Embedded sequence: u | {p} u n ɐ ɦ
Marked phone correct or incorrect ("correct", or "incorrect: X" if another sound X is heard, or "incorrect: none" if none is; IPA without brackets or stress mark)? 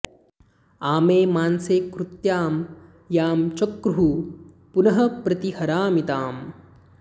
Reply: correct